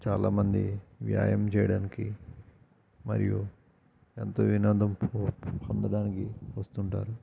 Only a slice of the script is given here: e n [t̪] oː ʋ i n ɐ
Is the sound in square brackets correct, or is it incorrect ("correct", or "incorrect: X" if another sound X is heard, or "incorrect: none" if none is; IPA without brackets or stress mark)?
correct